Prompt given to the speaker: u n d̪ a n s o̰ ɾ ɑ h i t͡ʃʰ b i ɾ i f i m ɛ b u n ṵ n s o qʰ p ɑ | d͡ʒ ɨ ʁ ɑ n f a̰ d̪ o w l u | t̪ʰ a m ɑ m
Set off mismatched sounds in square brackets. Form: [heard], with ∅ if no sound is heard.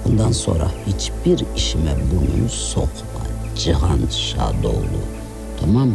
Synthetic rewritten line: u n d̪ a n s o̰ ɾ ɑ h i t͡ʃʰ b i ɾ i [ʃ] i m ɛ b u n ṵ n s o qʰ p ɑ | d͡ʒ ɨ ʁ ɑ n [ʃ] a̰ d̪ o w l u | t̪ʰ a m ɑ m

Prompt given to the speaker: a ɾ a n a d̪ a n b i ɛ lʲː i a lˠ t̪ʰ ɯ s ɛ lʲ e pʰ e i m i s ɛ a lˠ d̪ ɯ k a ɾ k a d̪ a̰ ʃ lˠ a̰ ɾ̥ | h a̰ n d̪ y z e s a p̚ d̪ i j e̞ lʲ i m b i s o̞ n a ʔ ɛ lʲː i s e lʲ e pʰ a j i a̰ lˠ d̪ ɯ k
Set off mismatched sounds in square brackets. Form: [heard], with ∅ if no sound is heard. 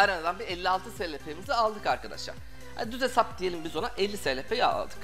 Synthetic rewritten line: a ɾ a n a d̪ a n b i ɛ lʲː i a lˠ t̪ʰ ɯ s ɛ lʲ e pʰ e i m i [z] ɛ a lˠ d̪ ɯ k a ɾ k a d̪ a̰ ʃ lˠ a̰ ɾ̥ | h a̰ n d̪ y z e s a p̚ d̪ i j e̞ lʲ i m b i [z] o̞ n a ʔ ɛ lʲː i s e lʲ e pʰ [e] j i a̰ lˠ d̪ ɯ k

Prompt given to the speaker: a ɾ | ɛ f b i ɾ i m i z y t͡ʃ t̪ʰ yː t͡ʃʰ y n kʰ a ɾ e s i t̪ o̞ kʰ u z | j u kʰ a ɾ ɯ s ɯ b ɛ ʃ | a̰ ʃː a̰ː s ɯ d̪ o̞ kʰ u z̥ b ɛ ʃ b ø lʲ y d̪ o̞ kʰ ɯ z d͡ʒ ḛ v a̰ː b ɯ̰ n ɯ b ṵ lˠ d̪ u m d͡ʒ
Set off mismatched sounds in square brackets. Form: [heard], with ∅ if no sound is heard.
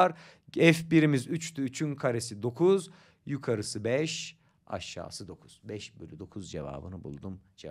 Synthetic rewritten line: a ɾ | ɛ f b i ɾ i m i z y t͡ʃ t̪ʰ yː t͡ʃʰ y n kʰ a ɾ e s i [d̪] o̞ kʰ u z | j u kʰ a ɾ ɯ s ɯ b ɛ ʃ | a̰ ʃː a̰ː s ɯ d̪ o̞ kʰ u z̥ b ɛ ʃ b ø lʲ y d̪ o̞ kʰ [u] z d͡ʒ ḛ v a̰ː b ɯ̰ n ɯ b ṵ lˠ d̪ u m d͡ʒ

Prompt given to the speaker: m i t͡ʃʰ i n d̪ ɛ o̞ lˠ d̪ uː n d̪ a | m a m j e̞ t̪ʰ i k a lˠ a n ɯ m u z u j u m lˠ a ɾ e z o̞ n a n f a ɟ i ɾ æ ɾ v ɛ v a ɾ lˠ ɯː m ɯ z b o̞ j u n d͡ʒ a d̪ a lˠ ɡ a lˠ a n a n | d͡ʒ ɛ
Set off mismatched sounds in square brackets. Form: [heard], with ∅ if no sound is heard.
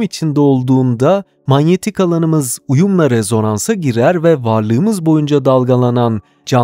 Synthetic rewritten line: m i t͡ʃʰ i n d̪ ɛ o̞ lˠ d̪ uː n d̪ a | m a [n] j e̞ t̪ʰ i k a lˠ a n ɯ m [ɯ] z u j u m lˠ a ɾ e z o̞ n a n [s] a ɟ i ɾ æ ɾ v ɛ v a ɾ lˠ ɯː m ɯ z b o̞ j u n d͡ʒ a d̪ a lˠ ɡ a lˠ a n a n | d͡ʒ [a]

